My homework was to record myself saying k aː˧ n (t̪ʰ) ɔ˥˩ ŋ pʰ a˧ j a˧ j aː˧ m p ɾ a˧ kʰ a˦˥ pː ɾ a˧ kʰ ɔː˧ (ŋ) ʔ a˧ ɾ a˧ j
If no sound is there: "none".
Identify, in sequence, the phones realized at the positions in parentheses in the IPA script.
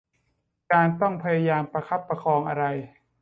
t̪, ŋ

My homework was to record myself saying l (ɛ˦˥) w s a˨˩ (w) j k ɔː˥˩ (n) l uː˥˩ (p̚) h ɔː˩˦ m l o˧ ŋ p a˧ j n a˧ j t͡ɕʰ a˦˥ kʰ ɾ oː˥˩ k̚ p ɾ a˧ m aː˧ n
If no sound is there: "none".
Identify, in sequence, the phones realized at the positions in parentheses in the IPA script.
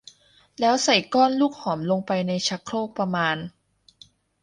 ɛː˦˥, none, n, k̚

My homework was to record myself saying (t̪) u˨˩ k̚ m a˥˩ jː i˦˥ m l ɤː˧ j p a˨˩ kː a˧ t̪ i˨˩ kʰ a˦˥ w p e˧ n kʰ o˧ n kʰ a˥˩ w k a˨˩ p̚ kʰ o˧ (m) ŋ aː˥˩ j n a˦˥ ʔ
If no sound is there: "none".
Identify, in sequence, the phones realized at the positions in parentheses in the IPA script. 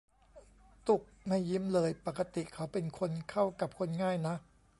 t̪, n

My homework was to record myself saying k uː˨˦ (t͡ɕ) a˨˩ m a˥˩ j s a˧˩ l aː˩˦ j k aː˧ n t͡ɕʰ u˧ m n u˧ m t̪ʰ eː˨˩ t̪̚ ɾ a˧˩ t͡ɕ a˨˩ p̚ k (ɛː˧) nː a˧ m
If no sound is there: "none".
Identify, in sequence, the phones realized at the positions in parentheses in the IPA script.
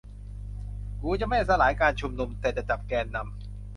t͡ɕ, ɛː˧

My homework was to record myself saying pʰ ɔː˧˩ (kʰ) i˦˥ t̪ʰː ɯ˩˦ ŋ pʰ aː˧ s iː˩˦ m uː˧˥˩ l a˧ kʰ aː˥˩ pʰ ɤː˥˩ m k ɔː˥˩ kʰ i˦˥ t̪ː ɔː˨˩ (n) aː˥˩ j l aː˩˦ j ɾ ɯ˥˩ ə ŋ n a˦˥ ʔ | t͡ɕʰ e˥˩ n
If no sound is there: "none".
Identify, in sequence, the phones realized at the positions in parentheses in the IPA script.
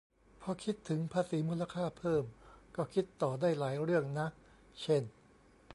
kʰ, d

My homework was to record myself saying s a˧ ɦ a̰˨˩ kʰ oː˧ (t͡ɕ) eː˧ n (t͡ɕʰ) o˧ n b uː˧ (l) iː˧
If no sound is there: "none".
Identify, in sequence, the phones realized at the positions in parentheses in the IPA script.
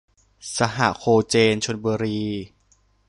t͡ɕ, t͡ɕʰ, ɾ

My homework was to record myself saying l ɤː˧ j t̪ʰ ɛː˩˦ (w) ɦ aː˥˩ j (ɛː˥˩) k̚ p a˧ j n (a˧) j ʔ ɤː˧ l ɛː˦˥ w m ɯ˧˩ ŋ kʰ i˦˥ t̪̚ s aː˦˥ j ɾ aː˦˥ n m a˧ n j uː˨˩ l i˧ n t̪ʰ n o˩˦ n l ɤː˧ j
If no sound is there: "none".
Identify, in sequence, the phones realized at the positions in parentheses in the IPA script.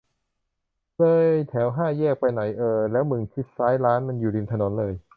w, ɛː˥˩, a˩˦

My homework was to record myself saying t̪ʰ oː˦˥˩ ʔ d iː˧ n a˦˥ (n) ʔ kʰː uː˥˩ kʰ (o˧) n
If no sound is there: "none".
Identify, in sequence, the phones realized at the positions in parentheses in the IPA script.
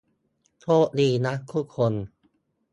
none, o˧

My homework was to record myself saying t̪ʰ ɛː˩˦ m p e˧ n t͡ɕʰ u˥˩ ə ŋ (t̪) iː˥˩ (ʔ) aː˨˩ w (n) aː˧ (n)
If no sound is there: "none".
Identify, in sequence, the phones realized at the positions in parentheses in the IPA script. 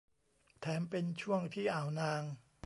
t̪ʰ, ʔ, n, ŋ

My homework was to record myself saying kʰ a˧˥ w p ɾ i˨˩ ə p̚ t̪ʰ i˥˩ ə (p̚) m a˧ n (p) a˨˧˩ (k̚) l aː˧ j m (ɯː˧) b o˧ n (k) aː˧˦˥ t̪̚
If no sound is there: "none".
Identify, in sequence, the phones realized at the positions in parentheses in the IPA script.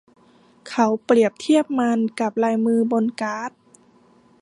p̚, k, p̚, ɯː˧, k

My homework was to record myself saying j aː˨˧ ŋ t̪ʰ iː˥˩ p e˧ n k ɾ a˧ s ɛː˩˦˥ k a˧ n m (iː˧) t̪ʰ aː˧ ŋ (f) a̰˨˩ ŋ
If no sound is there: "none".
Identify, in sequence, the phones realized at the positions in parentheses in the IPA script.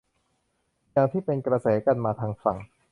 aː˧, f

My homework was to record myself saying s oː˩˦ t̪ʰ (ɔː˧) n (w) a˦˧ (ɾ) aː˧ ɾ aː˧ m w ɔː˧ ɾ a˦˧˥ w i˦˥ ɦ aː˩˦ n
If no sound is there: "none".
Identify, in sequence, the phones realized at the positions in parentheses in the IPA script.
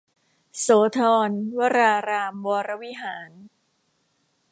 ɔː˧, w, ɾ

